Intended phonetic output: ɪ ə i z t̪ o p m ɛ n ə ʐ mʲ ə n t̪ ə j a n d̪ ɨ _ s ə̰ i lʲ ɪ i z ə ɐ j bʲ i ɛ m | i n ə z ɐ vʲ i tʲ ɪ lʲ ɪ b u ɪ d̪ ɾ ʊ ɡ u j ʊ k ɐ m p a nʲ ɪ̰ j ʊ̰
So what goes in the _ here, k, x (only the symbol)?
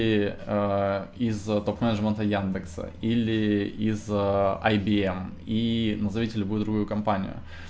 k